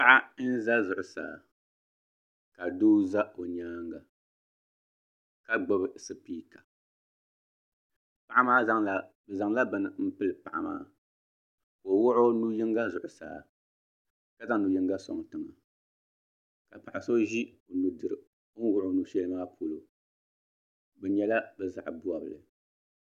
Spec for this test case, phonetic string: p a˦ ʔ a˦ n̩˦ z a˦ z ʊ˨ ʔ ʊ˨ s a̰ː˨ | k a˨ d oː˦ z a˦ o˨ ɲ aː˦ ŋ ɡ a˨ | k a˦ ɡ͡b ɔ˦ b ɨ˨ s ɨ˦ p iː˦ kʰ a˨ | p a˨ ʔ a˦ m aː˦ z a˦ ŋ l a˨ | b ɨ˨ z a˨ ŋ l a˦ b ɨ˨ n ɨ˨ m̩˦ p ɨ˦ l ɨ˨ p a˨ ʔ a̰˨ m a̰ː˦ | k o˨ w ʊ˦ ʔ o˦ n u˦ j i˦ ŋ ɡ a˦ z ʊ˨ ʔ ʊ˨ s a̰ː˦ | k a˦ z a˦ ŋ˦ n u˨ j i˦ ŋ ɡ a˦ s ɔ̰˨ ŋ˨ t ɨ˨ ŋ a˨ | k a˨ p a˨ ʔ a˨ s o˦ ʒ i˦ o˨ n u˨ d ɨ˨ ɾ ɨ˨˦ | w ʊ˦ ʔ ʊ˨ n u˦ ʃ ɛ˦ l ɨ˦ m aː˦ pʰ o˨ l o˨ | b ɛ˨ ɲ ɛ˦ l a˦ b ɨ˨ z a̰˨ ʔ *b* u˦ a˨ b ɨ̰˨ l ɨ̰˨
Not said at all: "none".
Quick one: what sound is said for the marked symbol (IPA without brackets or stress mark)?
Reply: b